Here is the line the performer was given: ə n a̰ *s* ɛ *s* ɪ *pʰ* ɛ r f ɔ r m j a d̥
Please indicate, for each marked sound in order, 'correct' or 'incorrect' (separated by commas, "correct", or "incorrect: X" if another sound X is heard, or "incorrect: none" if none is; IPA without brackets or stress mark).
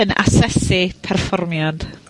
correct, correct, correct